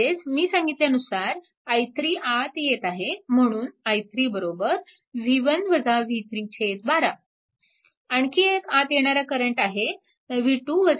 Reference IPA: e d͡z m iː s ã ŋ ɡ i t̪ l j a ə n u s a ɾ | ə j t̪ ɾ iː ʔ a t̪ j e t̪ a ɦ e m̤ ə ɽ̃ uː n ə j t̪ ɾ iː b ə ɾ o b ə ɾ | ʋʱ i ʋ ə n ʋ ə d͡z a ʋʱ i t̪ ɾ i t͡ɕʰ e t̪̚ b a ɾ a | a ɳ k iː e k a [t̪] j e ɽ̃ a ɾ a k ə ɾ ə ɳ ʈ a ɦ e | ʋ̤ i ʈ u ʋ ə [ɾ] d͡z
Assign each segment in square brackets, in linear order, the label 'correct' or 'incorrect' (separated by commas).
correct, incorrect